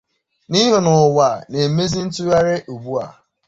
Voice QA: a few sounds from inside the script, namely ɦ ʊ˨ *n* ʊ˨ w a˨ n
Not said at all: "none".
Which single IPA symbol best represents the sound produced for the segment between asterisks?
n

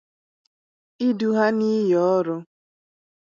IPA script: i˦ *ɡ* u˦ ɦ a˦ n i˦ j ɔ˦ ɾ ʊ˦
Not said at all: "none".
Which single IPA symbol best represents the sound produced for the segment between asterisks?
d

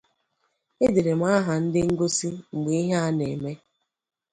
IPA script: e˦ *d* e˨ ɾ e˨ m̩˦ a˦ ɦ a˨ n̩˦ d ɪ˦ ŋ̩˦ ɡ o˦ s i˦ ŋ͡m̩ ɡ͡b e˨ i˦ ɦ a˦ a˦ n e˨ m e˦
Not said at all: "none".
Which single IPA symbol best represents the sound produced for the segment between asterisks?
d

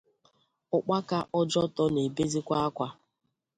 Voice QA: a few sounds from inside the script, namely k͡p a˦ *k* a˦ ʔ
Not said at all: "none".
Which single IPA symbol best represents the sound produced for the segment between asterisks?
k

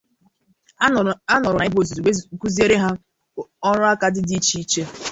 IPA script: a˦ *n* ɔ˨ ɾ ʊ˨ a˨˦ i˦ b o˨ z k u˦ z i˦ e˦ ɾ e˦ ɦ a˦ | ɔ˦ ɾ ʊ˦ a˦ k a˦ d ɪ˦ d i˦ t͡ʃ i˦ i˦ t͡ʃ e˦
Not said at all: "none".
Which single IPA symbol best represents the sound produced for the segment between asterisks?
n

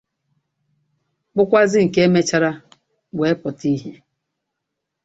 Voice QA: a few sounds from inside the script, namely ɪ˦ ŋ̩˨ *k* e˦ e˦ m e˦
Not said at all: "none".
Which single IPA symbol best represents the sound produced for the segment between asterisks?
k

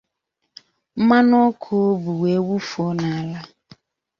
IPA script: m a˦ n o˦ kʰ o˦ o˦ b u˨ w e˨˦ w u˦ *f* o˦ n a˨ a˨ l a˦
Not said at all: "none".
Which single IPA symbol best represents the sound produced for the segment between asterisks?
f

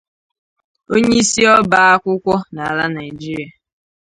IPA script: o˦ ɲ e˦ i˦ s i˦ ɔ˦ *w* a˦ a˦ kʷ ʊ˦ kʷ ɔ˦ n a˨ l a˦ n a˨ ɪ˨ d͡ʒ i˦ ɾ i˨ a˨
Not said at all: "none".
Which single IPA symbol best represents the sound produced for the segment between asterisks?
b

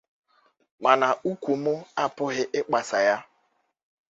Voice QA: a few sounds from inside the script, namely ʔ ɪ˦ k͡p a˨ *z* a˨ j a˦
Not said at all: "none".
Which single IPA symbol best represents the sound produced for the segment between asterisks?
s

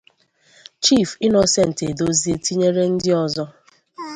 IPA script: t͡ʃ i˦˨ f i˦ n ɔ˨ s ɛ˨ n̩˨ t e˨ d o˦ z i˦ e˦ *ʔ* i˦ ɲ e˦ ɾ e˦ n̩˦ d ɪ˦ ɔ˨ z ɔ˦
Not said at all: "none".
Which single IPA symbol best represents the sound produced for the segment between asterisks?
t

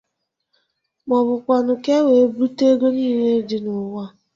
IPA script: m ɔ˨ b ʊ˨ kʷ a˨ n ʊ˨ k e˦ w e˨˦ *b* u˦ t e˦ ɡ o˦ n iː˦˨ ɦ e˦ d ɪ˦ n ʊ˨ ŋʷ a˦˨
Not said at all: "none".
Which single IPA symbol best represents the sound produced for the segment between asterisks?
b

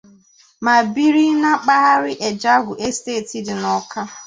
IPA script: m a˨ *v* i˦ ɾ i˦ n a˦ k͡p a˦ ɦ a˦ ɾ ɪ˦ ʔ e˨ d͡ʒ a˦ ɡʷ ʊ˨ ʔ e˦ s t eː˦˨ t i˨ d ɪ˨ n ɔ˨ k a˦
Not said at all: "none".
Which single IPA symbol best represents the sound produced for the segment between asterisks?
b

